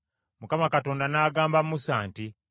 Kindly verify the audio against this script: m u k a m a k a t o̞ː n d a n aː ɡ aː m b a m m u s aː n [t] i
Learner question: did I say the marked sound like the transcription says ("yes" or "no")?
yes